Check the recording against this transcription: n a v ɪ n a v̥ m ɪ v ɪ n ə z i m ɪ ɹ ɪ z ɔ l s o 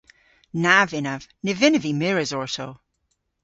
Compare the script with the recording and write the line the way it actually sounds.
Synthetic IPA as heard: n a v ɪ n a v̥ n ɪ v ɪ n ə v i m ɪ ɹ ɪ z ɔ ɹ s o